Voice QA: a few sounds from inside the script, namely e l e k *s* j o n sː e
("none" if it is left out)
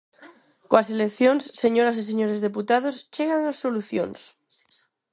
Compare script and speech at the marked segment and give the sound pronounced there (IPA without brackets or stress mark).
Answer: θ